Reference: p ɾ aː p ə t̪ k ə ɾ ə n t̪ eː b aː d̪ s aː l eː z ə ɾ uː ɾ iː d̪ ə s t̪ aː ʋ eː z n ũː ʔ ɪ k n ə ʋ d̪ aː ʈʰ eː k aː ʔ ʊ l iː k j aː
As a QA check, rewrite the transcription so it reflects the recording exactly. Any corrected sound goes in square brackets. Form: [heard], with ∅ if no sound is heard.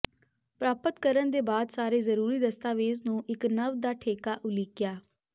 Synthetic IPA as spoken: p ɾ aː p ə t̪ k ə ɾ ə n [d̪] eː b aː d̪ s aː [ɾ] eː z ə ɾ uː ɾ iː d̪ ə s t̪ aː ʋ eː z n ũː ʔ ɪ k n ə ʋ d̪ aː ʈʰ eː k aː ʔ ʊ l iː k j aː